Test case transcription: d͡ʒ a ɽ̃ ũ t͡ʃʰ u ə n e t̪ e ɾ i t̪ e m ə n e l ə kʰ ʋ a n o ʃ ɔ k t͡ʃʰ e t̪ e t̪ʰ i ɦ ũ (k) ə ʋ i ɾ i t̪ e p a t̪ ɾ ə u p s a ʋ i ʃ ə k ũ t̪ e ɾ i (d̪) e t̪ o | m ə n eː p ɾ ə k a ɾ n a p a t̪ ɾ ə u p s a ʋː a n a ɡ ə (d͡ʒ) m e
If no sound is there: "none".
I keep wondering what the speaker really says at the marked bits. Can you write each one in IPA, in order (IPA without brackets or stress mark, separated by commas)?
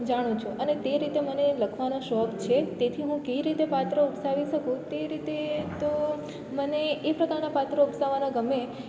k, t̪, none